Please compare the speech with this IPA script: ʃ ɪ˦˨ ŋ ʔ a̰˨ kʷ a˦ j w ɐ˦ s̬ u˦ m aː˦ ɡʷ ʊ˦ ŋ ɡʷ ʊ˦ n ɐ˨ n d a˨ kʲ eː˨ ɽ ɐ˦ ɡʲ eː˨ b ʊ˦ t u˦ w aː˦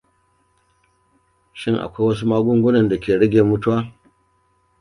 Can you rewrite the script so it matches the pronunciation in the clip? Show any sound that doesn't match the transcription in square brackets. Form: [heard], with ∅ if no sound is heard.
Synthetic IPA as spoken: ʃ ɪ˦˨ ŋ ʔ a̰˨ kʷ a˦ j w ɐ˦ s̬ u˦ m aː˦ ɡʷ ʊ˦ ŋ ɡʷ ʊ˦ n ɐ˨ n d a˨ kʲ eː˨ ɽ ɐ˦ ɡʲ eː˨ [m] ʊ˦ t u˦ w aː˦